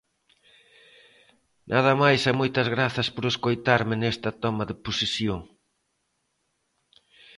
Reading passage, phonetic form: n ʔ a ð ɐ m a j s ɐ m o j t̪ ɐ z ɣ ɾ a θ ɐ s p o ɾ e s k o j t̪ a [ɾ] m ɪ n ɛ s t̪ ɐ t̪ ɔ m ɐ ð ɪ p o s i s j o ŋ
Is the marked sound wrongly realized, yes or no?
no